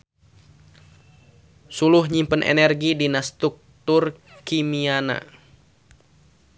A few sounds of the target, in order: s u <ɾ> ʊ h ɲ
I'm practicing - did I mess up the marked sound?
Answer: yes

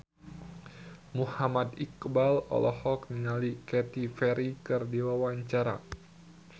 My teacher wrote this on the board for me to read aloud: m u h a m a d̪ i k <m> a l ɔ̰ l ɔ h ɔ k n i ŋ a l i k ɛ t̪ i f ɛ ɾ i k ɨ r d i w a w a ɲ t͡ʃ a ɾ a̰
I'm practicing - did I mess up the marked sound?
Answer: yes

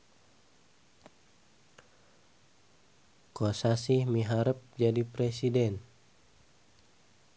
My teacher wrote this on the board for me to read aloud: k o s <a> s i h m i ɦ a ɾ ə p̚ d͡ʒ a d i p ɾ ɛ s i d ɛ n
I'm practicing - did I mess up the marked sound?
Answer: no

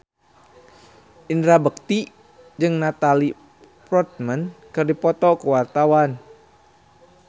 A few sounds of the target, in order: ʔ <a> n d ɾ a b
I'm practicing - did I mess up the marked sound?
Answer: yes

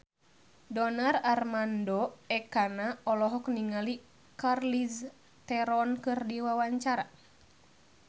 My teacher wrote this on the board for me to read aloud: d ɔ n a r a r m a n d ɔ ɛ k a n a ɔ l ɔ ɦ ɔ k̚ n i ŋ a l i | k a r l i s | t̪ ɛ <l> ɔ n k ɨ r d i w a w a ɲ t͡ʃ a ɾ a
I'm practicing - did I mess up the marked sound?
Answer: yes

